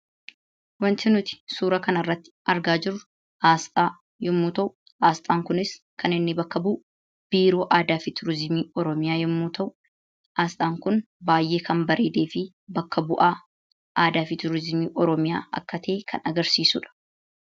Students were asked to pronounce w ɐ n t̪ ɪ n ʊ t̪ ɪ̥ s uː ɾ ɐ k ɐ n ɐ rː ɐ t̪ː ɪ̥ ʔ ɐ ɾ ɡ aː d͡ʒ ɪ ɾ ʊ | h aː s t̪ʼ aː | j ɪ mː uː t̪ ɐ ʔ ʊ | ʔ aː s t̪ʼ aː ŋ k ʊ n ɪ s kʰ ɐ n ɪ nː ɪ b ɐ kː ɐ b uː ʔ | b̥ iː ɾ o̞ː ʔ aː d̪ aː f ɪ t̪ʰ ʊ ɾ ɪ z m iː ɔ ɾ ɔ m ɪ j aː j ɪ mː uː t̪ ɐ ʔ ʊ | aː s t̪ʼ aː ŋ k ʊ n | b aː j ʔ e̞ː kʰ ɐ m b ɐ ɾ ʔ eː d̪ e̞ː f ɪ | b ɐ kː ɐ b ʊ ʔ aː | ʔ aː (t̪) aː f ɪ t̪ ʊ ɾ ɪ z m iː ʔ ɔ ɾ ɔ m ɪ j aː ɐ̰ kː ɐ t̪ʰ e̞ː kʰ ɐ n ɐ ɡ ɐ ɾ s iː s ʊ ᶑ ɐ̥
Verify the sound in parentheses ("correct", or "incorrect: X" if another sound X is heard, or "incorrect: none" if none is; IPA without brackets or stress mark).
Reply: incorrect: d̪